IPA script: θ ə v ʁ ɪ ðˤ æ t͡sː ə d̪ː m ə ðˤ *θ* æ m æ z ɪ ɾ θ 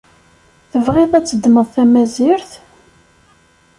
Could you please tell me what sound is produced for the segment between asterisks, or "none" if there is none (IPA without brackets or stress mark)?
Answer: θ